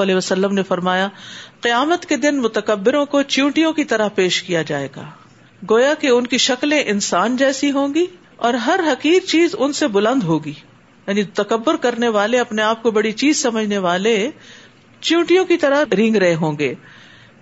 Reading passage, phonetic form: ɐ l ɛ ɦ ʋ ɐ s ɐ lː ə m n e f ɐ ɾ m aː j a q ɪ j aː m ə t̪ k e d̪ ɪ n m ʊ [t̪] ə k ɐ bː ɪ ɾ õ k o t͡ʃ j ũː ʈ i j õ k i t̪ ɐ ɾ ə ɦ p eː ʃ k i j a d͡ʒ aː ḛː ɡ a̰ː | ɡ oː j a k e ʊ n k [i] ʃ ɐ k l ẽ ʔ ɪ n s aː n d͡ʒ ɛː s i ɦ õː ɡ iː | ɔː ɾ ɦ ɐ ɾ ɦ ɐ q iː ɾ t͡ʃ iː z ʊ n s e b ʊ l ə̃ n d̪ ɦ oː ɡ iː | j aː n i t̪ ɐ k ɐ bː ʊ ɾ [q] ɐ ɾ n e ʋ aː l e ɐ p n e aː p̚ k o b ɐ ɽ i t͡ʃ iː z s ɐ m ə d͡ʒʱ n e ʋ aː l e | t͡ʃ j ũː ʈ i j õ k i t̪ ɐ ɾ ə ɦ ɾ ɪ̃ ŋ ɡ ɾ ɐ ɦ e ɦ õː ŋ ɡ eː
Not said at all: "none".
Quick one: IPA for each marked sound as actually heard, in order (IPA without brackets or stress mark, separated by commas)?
t̪, i, k